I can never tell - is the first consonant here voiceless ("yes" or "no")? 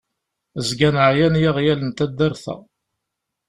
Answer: no